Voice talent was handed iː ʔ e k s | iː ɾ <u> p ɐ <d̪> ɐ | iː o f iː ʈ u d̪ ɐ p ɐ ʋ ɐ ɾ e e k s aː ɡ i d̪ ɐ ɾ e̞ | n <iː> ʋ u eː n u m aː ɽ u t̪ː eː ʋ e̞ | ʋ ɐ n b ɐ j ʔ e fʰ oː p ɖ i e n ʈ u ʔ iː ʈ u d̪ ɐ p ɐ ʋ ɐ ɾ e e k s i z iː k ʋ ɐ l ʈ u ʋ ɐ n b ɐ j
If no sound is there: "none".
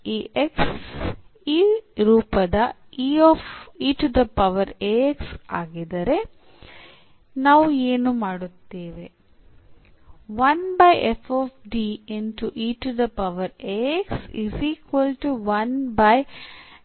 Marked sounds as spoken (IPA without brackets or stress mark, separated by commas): uː, d̪, aː